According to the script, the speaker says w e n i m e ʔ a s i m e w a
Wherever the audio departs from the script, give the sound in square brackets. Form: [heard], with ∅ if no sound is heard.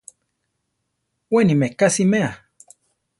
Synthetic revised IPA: w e n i m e [k] a s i m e [∅] a